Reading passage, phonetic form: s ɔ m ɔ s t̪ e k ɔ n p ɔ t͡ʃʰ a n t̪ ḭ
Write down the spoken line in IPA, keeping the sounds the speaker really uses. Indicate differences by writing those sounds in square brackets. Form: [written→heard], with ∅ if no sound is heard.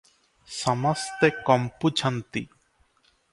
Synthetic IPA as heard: s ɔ m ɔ s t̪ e k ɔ [n→m] p [ɔ→u] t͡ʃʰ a n t̪ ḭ